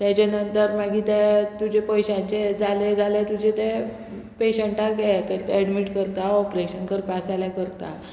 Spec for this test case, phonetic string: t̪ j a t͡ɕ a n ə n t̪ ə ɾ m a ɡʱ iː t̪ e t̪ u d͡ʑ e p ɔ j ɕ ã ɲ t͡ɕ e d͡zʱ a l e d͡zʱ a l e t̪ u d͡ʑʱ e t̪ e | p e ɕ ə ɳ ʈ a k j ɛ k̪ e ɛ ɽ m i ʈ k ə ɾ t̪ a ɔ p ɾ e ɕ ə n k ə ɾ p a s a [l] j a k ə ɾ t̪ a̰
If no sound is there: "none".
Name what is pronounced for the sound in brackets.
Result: l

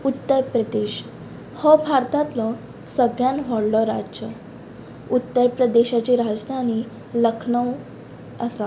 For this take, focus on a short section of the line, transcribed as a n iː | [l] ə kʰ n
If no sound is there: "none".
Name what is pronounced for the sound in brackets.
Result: l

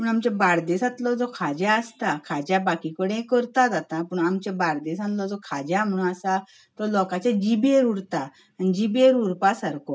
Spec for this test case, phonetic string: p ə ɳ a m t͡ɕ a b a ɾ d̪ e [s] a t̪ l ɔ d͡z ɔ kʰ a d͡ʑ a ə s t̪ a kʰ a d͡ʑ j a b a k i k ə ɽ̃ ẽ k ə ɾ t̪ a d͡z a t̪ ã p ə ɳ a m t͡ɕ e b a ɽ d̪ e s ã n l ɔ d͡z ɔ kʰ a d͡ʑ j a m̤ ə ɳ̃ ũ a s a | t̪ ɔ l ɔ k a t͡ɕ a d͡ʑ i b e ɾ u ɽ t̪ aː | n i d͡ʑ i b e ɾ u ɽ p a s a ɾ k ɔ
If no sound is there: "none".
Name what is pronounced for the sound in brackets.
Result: s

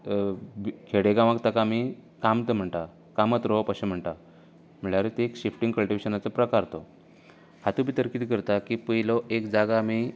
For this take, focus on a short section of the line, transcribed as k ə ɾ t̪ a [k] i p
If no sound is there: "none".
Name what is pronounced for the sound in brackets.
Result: k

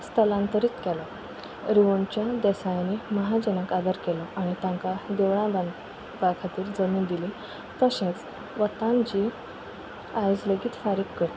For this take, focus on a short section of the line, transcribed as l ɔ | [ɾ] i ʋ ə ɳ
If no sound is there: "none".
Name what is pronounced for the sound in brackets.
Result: ɾ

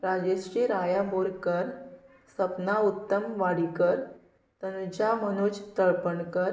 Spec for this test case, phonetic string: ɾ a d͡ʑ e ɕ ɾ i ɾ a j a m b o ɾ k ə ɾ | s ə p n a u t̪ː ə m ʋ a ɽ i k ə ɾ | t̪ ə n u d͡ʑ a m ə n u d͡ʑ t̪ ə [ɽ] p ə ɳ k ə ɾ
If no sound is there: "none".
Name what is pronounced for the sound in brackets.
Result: ɭ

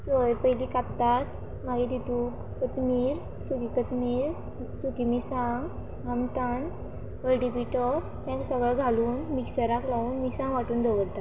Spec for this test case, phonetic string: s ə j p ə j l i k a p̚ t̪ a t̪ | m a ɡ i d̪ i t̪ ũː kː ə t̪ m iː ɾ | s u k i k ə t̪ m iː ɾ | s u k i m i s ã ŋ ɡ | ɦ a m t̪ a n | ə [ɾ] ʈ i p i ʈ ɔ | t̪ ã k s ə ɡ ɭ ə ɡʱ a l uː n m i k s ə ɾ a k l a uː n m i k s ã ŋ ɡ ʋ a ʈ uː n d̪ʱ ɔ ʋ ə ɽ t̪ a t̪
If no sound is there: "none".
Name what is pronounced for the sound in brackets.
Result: l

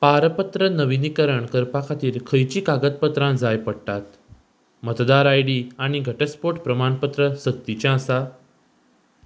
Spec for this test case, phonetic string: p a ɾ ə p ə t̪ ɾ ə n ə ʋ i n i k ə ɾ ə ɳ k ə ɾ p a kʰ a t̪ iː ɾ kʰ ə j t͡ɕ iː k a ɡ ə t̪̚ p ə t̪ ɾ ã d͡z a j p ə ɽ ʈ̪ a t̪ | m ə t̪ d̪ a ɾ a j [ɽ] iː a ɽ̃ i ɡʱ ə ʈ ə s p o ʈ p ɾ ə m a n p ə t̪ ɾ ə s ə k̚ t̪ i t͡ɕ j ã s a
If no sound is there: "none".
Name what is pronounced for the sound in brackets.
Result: ɽ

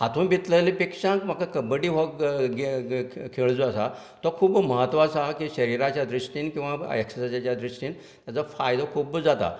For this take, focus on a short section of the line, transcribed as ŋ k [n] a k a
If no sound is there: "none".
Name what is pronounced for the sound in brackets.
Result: m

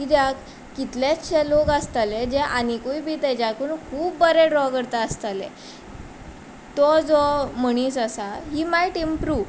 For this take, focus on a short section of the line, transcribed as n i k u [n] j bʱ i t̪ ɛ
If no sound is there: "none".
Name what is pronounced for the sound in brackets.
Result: none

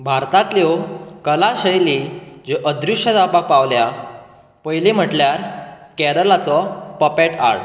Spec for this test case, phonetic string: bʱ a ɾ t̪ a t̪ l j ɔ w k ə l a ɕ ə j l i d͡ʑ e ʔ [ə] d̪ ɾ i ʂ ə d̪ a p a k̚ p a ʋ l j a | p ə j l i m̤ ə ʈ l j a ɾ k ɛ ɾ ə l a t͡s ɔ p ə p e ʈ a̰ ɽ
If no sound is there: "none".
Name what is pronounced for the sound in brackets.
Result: ə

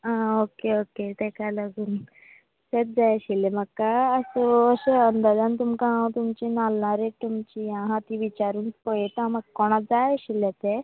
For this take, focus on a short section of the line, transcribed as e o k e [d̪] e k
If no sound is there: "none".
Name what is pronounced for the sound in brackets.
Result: t̪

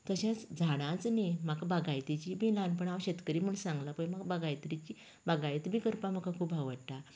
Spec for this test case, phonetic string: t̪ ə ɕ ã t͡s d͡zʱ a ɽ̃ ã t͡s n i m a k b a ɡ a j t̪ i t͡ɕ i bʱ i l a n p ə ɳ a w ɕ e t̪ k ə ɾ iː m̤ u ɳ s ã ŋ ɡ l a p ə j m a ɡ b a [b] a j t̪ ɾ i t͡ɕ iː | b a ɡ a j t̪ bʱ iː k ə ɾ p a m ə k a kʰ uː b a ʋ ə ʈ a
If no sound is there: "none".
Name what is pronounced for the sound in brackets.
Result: ɡ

